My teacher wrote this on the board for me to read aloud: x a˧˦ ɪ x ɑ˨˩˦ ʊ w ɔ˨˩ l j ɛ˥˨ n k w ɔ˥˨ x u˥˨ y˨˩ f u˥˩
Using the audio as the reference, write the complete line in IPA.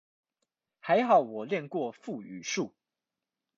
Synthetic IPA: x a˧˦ ɪ x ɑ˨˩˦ ʊ w ɔ˨˩ l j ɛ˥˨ n k w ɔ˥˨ f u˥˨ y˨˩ ʂ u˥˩